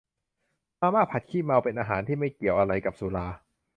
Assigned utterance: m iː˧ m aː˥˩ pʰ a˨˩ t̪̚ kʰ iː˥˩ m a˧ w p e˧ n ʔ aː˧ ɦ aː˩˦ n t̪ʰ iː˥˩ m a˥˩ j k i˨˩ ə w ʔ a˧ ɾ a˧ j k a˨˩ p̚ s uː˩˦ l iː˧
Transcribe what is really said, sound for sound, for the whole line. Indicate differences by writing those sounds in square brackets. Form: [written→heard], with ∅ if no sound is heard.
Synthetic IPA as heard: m [iː˧→aː˧] m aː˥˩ pʰ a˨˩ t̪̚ kʰ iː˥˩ m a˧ w p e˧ n ʔ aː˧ ɦ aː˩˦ n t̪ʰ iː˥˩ m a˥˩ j k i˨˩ ə w ʔ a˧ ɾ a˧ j k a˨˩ p̚ s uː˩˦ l [iː˧→aː˧]